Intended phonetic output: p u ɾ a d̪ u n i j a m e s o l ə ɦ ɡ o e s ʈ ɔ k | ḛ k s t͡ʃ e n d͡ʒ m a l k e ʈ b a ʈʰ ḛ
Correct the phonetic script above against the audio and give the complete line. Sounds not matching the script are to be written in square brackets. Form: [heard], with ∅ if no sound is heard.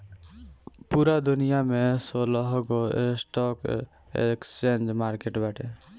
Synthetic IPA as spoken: p u ɾ a d̪ u n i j a m e s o l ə ɦ ɡ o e s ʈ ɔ k | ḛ k s t͡ʃ e n d͡ʒ m a [ɾ] k e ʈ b a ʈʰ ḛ